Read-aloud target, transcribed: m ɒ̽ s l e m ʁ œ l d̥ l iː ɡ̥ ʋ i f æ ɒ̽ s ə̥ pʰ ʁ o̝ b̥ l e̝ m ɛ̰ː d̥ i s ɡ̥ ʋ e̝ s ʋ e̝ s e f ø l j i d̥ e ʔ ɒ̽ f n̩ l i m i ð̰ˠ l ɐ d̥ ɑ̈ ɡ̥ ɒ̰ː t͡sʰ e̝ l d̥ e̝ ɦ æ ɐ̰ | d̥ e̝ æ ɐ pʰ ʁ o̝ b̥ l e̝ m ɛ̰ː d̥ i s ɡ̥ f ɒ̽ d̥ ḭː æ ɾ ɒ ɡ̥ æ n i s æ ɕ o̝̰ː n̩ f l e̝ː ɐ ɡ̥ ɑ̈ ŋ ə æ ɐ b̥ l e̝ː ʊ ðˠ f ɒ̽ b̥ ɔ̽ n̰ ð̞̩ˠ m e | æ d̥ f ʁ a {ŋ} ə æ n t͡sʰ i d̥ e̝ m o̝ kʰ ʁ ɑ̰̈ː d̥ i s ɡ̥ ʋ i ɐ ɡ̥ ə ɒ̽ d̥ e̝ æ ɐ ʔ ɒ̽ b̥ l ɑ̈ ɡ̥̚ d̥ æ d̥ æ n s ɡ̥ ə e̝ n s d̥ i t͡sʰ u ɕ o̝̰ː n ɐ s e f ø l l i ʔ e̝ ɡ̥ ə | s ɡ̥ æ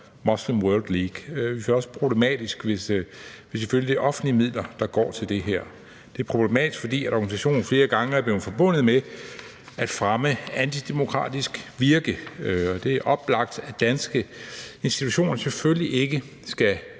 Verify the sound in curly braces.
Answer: incorrect: m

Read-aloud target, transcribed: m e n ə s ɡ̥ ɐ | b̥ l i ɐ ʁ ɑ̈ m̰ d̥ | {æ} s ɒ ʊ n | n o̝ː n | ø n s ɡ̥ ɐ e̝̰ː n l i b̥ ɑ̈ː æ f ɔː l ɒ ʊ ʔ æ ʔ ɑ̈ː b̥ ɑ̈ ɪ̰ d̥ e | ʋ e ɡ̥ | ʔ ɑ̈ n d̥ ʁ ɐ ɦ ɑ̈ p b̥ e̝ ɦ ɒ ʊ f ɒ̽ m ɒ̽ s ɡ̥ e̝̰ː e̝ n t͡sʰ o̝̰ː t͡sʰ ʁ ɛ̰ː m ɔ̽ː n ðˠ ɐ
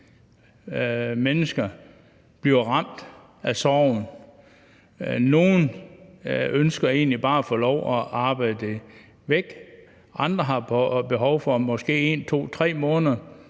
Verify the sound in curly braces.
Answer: correct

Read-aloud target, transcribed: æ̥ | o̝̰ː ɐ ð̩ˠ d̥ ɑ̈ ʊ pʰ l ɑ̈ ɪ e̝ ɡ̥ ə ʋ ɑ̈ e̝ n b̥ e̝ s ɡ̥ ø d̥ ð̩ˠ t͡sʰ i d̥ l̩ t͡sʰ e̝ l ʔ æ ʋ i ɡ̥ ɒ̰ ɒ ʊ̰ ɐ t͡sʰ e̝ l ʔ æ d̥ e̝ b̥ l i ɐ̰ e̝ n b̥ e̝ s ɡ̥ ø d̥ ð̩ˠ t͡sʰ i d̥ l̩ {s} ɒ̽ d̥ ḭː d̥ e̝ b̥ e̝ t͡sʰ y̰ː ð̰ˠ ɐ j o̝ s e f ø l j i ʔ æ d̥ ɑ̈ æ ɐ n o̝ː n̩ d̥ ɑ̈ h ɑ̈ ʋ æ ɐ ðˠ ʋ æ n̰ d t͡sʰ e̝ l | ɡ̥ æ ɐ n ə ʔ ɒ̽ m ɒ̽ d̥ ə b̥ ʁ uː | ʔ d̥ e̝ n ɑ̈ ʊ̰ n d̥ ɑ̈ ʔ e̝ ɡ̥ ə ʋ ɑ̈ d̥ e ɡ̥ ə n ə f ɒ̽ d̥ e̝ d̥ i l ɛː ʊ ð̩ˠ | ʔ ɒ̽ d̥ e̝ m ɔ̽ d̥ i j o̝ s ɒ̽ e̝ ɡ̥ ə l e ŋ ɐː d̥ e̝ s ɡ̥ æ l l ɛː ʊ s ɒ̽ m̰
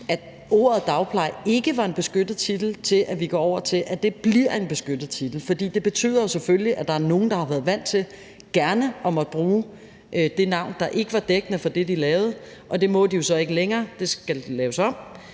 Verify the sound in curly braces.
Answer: incorrect: f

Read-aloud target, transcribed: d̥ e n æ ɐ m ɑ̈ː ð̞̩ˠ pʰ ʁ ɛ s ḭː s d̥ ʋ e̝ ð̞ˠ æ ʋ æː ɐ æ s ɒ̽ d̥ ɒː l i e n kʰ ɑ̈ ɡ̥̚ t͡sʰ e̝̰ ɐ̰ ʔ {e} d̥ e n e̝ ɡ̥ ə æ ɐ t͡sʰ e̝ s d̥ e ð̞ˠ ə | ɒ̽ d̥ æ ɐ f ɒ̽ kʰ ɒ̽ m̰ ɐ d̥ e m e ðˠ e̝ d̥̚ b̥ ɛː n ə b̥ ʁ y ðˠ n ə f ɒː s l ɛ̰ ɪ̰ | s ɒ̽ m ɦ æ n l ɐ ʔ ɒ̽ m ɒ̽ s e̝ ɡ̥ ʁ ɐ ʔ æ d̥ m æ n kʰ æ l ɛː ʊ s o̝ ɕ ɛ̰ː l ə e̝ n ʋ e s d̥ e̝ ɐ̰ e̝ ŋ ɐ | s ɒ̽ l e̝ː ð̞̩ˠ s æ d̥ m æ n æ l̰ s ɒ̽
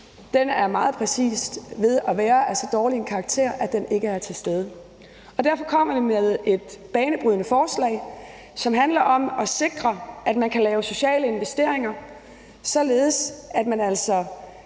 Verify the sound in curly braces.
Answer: incorrect: æ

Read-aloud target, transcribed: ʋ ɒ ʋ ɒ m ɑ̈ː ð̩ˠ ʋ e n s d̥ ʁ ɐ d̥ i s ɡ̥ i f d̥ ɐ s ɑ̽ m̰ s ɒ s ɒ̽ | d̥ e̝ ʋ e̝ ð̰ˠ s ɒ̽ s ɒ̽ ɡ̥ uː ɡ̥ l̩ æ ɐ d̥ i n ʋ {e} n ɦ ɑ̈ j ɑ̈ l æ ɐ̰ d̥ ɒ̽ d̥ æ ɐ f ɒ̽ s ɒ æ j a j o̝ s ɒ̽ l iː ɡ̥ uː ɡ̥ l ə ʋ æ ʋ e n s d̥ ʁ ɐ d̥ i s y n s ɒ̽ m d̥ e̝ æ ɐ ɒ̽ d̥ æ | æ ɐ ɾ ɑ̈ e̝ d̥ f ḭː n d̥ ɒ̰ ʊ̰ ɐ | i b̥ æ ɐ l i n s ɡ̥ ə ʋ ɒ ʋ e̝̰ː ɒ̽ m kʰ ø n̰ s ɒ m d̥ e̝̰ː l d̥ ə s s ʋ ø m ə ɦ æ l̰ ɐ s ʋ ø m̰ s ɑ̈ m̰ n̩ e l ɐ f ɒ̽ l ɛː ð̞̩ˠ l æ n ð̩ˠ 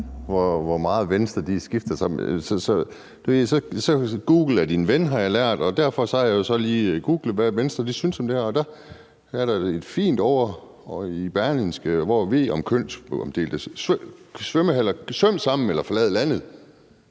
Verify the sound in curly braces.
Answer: correct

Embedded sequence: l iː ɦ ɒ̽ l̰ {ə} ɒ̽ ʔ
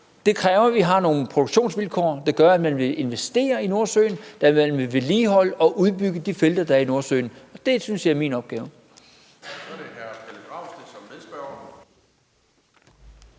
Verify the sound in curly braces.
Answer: correct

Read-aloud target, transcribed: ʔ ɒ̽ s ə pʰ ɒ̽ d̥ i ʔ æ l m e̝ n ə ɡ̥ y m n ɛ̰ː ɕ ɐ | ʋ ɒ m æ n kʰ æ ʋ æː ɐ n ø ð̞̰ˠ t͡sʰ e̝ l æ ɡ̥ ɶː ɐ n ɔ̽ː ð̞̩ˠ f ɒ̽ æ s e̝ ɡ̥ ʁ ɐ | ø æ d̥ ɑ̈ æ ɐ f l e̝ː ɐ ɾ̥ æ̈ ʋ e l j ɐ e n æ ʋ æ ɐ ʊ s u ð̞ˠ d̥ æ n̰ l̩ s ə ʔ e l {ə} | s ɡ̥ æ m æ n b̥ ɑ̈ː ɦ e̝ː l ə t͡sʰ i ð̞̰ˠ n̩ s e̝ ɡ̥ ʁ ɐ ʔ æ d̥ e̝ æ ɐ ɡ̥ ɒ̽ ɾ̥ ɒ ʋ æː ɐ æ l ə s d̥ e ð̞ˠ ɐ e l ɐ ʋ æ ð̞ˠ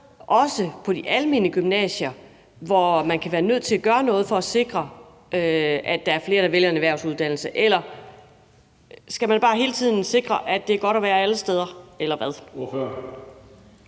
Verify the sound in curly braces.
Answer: incorrect: ɐ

